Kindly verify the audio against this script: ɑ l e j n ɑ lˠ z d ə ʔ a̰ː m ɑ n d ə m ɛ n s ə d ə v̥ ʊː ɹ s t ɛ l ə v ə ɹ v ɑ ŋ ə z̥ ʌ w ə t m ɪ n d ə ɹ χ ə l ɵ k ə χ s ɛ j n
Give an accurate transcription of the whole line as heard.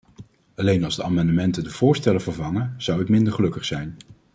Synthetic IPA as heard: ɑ l e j n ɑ lˠ z d ə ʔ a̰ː m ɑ n d ə m ɛ n t ə d ə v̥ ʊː ɹ s t ɛ l ə v ə ɹ v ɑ ŋ ə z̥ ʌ w ə t m ɪ n d ə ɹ χ ə l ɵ k ə χ s ɛ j n